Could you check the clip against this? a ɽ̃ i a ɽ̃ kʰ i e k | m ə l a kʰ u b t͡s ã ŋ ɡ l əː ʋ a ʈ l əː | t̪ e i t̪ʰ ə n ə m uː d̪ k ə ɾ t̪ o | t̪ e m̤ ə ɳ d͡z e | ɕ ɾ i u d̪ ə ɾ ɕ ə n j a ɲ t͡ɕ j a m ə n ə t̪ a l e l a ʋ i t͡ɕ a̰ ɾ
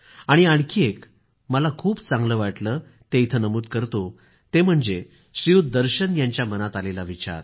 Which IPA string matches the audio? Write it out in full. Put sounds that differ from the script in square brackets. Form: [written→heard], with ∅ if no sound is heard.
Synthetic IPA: a ɽ̃ i a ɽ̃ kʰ i e k | m ə l a kʰ [u→uː] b t͡s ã ŋ ɡ l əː ʋ a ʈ l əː | t̪ e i t̪ʰ ə n ə m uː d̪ k ə ɾ t̪ o | t̪ e m̤ ə ɳ d͡z e | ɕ ɾ i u d̪ ə ɾ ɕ ə n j a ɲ t͡ɕ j a m ə n [ə→a] t̪ a l e l a ʋ i t͡ɕ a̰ ɾ